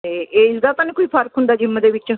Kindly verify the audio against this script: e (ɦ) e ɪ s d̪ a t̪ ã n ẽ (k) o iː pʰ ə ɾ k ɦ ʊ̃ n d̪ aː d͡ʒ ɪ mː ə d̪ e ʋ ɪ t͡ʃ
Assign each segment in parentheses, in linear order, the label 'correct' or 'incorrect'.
incorrect, correct

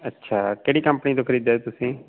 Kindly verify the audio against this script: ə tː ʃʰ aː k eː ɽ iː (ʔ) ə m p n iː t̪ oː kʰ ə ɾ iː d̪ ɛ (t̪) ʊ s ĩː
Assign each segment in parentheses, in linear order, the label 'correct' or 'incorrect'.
incorrect, correct

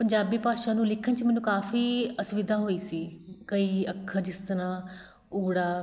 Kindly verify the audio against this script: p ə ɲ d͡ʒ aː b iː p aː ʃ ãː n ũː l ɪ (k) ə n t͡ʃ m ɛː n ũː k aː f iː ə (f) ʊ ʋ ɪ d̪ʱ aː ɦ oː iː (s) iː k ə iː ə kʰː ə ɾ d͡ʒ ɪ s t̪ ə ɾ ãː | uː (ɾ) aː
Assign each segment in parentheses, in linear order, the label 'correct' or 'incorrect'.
incorrect, incorrect, correct, incorrect

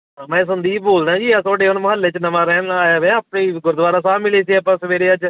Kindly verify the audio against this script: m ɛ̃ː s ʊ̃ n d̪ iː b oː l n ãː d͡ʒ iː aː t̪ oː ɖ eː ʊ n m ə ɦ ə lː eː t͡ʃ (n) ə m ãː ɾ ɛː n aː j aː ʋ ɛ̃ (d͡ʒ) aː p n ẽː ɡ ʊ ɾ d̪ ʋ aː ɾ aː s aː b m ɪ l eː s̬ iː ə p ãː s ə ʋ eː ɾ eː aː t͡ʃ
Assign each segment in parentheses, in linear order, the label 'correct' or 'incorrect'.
correct, incorrect

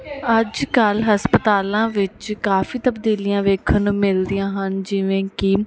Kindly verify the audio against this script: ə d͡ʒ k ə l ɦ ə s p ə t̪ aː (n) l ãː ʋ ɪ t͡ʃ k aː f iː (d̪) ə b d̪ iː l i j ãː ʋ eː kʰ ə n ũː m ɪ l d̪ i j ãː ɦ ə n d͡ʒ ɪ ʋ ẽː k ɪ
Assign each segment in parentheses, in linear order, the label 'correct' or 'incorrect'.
incorrect, incorrect

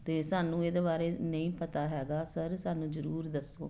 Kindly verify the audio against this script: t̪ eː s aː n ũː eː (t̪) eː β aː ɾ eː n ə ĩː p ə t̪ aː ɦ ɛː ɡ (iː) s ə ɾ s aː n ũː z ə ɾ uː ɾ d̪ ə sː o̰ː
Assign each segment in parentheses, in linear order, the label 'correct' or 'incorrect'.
incorrect, incorrect

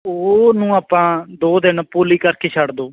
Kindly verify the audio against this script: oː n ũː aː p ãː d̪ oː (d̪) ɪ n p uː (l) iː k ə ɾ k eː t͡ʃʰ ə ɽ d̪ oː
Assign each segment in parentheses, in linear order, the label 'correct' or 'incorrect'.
correct, correct

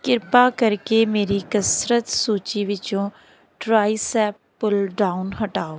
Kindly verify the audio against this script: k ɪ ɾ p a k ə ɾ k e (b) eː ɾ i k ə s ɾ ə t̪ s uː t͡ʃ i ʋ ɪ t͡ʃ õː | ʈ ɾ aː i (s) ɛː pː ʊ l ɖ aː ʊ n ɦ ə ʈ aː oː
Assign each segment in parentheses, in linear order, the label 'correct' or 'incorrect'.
incorrect, correct

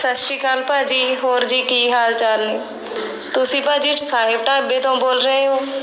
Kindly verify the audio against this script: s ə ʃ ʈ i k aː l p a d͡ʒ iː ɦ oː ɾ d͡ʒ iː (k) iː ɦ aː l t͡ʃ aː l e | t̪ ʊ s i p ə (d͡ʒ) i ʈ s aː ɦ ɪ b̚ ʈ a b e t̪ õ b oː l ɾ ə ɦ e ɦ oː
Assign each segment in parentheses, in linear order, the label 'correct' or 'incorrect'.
correct, correct

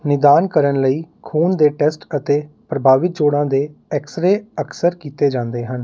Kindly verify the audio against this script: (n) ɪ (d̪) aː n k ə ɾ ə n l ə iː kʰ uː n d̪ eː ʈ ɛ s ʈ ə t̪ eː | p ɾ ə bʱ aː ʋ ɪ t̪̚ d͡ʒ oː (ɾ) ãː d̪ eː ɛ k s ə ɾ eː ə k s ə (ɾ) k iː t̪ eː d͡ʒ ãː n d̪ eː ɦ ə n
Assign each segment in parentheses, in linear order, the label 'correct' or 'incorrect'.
correct, correct, incorrect, correct

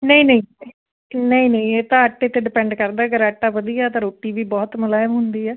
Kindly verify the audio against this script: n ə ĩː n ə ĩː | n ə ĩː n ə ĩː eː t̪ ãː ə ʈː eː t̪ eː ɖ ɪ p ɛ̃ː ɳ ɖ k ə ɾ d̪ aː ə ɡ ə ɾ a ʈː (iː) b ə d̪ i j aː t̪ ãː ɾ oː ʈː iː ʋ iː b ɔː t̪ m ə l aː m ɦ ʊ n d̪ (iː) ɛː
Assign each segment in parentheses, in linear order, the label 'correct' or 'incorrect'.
incorrect, correct

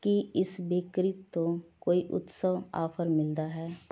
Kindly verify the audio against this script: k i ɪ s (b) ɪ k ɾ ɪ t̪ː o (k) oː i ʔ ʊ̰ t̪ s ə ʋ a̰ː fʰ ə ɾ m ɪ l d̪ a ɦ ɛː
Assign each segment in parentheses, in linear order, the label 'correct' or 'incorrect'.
correct, correct

